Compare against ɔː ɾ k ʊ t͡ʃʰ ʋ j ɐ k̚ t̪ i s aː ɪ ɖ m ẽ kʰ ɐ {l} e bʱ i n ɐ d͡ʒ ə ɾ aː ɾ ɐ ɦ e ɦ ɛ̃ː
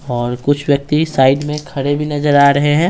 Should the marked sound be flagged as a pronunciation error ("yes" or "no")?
yes